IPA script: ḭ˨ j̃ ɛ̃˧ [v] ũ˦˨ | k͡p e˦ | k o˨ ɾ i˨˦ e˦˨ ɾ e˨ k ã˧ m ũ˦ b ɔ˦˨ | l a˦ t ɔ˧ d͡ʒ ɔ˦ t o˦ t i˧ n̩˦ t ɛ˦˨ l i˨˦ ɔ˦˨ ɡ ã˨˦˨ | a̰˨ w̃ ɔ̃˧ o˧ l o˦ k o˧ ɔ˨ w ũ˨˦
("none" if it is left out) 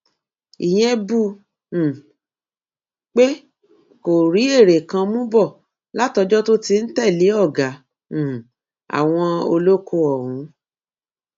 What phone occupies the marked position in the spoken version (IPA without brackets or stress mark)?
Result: b